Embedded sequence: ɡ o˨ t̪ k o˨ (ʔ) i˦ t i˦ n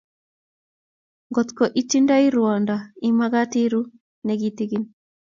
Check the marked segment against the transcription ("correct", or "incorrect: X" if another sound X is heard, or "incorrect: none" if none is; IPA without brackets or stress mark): correct